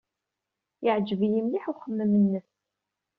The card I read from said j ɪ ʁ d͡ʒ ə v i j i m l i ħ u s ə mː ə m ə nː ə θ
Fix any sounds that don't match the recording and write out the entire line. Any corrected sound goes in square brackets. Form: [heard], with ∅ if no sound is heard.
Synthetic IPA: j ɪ [ʕ] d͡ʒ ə v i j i m l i ħ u [χ] ə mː ə m ə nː ə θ